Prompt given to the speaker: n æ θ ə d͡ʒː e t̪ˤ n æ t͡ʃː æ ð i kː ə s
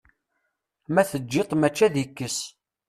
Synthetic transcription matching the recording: m æ θ ə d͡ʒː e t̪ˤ m æ t͡ʃː æ ð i kː ə s